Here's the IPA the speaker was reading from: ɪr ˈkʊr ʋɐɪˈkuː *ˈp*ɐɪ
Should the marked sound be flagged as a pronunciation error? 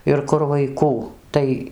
yes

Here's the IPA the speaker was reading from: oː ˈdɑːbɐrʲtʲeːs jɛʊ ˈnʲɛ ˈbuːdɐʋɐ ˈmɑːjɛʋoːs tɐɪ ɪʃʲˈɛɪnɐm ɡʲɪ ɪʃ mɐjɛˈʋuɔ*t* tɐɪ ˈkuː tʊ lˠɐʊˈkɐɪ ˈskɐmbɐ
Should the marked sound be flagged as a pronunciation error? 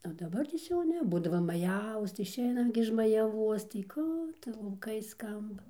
yes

